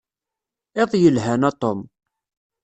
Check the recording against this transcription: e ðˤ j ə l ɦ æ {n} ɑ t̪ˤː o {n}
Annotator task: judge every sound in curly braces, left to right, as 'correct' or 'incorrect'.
correct, incorrect: m

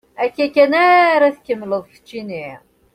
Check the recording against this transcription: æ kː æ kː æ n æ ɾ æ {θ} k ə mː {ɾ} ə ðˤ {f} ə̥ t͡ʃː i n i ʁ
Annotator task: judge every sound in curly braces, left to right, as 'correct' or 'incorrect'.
correct, incorrect: l, correct

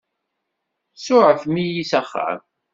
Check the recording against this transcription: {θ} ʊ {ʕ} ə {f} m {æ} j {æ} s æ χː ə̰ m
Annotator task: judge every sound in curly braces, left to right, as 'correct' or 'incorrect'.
incorrect: s, correct, correct, incorrect: i, incorrect: i

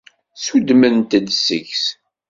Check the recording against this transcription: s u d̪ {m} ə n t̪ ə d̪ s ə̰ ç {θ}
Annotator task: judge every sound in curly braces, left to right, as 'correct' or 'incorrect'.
correct, incorrect: s

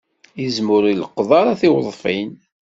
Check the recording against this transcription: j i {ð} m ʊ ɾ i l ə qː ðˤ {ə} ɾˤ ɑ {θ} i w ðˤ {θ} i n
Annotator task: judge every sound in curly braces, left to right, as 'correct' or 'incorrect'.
incorrect: z, incorrect: ɑ, correct, incorrect: f

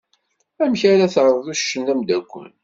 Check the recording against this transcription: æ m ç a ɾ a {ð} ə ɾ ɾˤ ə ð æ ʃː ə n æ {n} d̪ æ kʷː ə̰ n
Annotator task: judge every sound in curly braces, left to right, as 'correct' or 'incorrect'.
incorrect: θ, incorrect: m

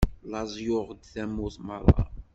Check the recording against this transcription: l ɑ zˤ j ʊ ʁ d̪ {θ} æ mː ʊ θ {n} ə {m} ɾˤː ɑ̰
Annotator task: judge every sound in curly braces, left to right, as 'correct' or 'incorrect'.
correct, incorrect: m, incorrect: none

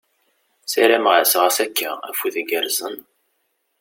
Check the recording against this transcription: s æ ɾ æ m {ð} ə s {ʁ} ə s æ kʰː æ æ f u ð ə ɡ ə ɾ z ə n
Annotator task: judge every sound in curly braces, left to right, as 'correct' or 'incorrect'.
incorrect: ʁ, correct

